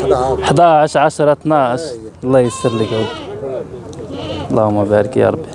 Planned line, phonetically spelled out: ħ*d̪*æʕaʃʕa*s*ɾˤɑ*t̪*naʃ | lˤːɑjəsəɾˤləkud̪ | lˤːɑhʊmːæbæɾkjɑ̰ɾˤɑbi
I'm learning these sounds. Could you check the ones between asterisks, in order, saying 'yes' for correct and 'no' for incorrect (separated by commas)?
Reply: yes, no, yes